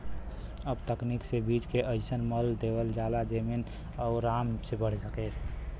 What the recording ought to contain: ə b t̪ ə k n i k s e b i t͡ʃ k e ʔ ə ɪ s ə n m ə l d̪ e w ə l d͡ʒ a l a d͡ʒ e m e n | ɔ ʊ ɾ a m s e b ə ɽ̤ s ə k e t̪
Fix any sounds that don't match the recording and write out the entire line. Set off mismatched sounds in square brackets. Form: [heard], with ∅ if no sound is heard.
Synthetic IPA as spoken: ə b t̪ ə k n i k s e b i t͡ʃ k e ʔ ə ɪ s ə n m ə l d̪ e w ə l d͡ʒ a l a d͡ʒ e m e n | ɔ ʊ ɾ a m s e b ə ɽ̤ s ə k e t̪